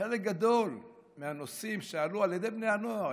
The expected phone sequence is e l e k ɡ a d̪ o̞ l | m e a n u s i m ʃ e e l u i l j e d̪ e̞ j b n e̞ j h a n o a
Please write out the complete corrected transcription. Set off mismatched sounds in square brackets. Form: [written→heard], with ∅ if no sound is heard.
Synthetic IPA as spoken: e l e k ɡ a d̪ o̞ l | m e a n [u→o] s i m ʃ e [e→a] l u [i→a] l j e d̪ e̞ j b n e̞ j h a n o a